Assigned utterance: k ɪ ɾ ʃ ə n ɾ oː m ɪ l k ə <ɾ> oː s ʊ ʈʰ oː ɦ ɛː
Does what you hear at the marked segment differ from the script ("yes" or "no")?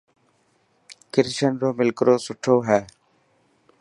no